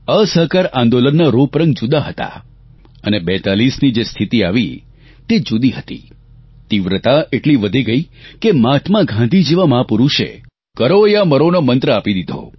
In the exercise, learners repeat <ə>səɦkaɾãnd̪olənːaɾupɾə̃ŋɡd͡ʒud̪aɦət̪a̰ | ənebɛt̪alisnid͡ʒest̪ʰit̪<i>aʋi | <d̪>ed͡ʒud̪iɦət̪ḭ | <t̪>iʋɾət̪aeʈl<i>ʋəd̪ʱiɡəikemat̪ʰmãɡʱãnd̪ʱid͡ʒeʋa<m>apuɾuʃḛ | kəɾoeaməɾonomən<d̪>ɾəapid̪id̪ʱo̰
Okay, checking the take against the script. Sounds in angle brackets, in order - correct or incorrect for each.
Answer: correct, correct, incorrect: t̪, correct, correct, correct, incorrect: t̪

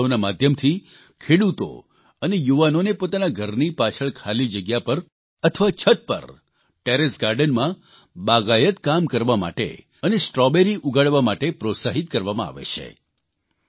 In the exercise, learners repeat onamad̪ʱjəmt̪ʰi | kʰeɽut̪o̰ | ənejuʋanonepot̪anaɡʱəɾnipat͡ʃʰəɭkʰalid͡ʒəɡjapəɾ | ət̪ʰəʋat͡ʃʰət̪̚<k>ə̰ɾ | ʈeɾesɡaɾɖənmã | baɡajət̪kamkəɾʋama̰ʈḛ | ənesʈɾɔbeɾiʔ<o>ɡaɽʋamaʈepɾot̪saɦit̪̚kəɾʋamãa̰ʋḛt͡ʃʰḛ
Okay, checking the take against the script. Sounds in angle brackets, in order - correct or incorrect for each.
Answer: incorrect: p, incorrect: u

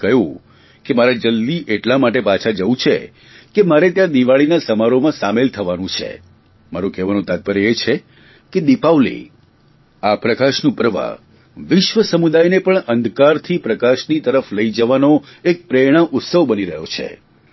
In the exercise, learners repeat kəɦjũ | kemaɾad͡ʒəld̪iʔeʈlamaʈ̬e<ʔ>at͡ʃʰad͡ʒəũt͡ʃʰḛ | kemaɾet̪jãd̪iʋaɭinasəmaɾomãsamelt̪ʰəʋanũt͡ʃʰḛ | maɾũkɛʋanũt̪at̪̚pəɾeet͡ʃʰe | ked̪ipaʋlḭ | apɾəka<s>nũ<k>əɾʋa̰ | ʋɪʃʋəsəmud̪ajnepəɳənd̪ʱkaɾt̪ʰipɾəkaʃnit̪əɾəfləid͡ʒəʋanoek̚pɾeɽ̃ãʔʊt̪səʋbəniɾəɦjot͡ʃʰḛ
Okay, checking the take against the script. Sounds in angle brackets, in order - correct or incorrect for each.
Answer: incorrect: p, incorrect: ʃ, incorrect: p

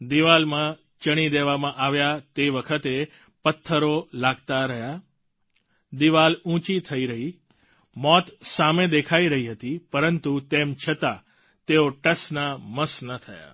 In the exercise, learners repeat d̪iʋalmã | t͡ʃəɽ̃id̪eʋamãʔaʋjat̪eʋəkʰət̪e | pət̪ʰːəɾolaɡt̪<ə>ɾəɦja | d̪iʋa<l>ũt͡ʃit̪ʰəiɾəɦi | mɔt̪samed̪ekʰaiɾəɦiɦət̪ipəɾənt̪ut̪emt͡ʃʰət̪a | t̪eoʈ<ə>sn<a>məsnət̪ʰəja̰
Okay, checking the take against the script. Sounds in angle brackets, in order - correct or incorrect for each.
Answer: incorrect: a, correct, correct, correct

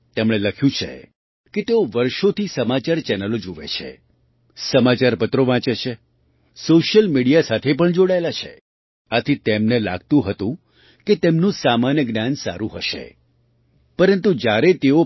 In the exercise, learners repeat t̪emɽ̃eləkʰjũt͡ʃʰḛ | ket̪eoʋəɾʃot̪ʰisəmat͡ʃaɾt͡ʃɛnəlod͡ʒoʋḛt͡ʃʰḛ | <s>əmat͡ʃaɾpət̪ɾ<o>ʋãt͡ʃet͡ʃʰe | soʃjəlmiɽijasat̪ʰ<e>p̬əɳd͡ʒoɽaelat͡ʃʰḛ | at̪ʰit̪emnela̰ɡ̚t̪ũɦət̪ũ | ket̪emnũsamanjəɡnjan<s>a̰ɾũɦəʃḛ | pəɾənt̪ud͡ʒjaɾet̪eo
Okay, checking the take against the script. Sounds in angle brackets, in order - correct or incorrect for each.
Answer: correct, correct, correct, correct

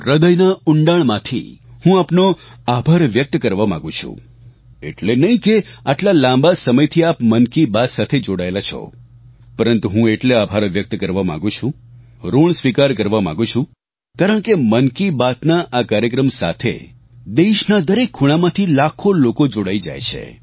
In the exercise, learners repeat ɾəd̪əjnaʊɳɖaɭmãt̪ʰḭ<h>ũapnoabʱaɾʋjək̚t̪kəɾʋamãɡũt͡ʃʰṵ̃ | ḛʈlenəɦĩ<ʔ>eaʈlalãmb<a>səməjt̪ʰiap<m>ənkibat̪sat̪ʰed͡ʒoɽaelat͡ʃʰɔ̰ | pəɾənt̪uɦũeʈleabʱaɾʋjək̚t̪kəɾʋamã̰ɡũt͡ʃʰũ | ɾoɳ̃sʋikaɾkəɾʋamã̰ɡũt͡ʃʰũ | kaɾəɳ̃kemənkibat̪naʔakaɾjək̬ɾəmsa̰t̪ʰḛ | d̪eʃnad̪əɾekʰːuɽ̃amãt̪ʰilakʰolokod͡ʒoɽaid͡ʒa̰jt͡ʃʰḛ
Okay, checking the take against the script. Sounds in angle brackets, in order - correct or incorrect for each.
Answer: correct, incorrect: k, correct, correct

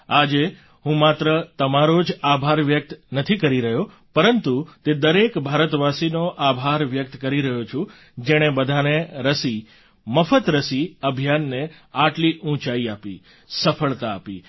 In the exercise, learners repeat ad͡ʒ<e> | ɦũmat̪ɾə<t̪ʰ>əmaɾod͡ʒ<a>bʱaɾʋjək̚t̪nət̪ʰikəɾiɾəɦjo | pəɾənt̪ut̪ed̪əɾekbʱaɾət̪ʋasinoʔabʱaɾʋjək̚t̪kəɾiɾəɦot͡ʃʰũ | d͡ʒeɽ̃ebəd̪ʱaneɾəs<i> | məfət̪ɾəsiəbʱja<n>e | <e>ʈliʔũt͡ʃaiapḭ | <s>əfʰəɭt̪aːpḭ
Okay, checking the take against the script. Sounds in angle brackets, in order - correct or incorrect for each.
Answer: correct, incorrect: t̪, correct, correct, incorrect: nː, incorrect: a, correct

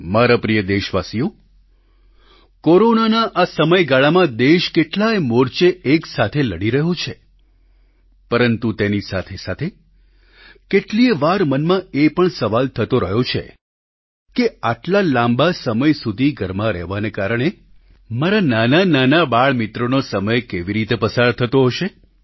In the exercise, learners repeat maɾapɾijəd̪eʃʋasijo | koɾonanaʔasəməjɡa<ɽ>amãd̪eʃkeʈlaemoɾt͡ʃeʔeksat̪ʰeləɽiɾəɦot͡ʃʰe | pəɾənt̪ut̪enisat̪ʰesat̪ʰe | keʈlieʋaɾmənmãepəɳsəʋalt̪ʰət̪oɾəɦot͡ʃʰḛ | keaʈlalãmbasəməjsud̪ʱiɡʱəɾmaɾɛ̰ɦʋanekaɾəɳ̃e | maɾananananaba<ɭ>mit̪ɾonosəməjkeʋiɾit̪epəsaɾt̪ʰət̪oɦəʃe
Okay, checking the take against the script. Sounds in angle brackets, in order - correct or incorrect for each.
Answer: incorrect: ɭ, correct

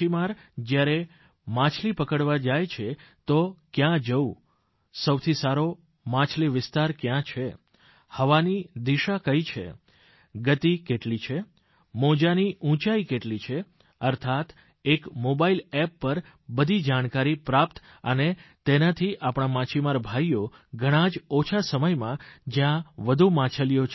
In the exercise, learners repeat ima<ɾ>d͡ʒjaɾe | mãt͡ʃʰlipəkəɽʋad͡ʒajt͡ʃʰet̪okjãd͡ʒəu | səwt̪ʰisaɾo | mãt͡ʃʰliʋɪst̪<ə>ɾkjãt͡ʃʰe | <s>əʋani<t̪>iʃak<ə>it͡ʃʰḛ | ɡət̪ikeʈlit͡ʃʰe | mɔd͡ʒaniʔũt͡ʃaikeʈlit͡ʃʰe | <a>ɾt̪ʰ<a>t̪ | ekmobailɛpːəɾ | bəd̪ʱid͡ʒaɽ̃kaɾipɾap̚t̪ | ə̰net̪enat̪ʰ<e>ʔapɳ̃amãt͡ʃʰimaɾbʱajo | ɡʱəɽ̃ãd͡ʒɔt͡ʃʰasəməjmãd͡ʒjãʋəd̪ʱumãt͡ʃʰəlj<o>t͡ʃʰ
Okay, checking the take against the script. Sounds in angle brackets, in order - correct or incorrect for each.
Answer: correct, incorrect: a, incorrect: h, incorrect: d̪, correct, incorrect: ə, correct, incorrect: i, correct

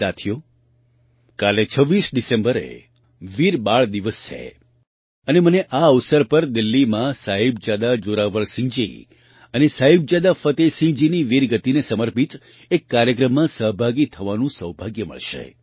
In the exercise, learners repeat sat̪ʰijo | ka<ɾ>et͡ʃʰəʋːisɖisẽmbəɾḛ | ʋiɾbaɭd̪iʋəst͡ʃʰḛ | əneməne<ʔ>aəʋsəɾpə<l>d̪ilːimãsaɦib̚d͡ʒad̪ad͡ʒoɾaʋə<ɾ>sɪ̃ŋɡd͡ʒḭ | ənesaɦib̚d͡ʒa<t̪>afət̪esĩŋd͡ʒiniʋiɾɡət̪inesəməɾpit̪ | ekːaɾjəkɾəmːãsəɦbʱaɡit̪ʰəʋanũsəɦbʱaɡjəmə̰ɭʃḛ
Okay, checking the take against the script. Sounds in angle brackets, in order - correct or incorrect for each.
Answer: incorrect: l, correct, incorrect: ɾ, incorrect: ɭ, incorrect: d̪

